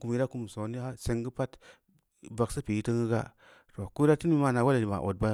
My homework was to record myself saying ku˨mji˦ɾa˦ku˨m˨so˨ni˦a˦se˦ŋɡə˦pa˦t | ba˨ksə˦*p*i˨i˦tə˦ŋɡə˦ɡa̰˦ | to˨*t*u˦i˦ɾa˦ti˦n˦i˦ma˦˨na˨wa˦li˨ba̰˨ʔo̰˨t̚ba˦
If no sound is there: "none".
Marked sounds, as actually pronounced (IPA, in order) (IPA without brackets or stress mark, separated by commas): p, k